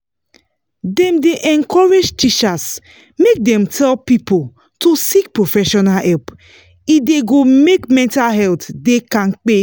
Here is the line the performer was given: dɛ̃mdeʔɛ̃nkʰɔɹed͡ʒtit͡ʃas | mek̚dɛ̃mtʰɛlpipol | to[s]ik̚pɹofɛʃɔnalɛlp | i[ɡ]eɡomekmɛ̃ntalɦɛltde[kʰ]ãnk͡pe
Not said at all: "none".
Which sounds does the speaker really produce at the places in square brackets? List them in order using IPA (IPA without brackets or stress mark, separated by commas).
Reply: s, d, k